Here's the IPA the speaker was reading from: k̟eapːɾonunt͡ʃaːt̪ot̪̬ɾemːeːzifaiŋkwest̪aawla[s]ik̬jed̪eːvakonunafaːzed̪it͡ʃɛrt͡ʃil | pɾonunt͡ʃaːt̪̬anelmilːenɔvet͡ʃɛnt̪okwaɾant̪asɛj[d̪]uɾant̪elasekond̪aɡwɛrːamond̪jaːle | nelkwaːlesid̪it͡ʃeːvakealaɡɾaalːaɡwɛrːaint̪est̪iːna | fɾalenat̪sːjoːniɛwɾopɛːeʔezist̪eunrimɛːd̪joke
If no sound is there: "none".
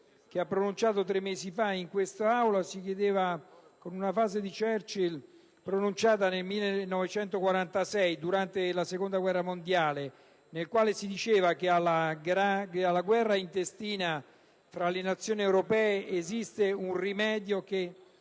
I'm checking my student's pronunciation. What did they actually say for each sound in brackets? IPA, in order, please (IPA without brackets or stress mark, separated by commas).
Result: s, d̪